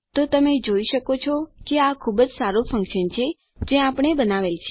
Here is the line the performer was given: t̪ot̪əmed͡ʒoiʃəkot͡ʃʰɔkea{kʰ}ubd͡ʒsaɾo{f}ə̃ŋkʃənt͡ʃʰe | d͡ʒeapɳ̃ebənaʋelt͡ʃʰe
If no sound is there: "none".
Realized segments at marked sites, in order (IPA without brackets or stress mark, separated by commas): kʰ, f